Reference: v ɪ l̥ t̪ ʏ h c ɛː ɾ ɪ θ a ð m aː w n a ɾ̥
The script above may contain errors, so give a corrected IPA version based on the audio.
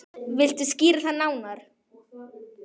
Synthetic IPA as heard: v ɪ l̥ t̪ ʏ s c iː ɾ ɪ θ a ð n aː w n a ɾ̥